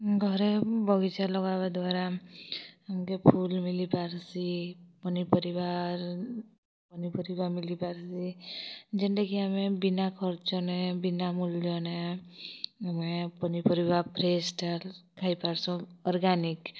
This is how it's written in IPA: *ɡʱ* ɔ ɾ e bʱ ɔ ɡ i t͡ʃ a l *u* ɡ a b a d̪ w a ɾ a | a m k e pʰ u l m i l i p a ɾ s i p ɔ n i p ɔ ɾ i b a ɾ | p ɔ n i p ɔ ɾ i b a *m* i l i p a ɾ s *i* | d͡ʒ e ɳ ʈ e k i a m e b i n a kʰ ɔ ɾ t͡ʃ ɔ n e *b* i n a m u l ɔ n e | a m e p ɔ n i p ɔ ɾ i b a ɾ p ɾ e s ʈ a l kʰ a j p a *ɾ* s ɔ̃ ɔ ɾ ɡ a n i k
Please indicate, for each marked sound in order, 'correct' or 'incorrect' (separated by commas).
correct, incorrect, correct, correct, correct, correct